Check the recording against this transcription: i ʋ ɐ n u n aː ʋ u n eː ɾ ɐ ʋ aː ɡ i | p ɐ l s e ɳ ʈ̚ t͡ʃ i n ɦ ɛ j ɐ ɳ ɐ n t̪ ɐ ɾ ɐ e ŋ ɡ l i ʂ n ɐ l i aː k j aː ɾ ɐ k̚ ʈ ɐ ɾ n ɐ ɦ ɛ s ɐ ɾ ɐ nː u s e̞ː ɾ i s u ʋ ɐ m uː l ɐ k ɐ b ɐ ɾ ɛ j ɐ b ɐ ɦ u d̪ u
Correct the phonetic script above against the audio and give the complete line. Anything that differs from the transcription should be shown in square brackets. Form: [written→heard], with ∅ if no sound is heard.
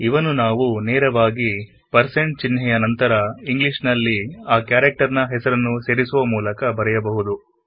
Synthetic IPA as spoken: i ʋ ɐ n u n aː ʋ u n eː ɾ ɐ ʋ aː ɡ i | p ɐ [l→ɾ] s e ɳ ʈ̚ t͡ʃ i n ɦ ɛ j ɐ [ɳ→n] ɐ n t̪ ɐ ɾ ɐ [e→i] ŋ ɡ l i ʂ n ɐ [l→lː] i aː k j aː ɾ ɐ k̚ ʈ ɐ ɾ n ɐ ɦ ɛ s ɐ ɾ ɐ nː u s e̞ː ɾ i s u ʋ ɐ m uː l ɐ k ɐ b ɐ ɾ ɛ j ɐ b ɐ ɦ u d̪ u